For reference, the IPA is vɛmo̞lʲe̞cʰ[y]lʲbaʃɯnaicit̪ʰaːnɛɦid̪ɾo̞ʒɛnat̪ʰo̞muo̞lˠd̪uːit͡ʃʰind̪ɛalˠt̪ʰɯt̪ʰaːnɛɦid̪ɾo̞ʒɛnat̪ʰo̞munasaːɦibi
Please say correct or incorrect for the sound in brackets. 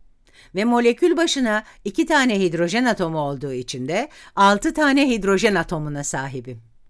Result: correct